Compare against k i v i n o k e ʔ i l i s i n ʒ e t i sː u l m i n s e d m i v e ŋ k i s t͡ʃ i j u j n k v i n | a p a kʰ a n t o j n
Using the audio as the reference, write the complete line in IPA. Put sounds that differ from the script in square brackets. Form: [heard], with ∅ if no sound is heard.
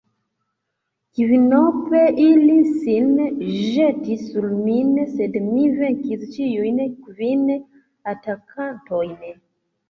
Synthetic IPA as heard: k i v i n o [p] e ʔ i l i s i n ʒ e t i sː u l m i n s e d m i v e ŋ k i s t͡ʃ i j u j n k v i n | a [t] a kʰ a n t o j n